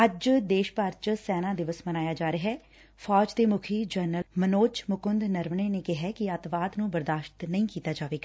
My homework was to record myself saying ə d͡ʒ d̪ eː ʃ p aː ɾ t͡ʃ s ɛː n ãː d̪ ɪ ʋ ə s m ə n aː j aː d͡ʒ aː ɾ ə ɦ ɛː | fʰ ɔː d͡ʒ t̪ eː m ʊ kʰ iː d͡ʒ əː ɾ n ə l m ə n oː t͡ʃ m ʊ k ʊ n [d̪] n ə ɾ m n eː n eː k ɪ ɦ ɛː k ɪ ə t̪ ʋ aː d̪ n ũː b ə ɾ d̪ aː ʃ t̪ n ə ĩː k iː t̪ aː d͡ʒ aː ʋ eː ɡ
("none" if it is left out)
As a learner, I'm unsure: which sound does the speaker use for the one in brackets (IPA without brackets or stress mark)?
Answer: d̪